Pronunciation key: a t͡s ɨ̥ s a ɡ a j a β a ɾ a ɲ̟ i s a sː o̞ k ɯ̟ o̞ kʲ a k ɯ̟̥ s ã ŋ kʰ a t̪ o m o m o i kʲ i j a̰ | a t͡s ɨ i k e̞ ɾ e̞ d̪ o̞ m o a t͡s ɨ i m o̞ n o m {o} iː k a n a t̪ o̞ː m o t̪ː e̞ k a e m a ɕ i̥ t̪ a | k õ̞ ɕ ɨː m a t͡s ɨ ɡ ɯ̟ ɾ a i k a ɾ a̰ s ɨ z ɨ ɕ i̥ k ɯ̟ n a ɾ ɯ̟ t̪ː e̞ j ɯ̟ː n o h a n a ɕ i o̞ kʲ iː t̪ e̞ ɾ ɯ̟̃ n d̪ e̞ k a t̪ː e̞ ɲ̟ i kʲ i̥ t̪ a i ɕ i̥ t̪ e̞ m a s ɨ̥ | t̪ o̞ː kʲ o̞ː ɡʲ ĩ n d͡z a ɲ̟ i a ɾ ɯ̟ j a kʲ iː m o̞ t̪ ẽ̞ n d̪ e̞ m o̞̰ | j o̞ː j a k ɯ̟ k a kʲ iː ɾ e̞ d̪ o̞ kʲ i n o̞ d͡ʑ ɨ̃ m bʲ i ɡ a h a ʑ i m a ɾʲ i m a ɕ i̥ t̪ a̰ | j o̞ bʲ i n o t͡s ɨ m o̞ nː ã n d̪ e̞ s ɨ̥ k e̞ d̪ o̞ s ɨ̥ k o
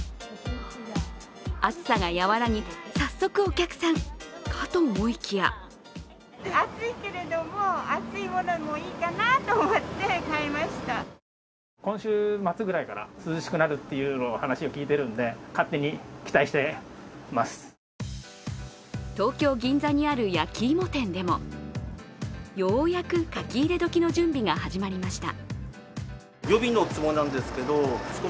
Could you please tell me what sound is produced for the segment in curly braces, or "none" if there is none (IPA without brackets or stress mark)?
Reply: o